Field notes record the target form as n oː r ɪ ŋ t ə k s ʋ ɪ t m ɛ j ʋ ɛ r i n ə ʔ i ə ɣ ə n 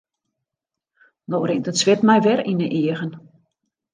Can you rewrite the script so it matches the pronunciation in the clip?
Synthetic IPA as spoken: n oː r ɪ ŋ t ə t s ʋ ɪ t m ɛ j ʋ ɛ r i n ə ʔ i ə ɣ ə n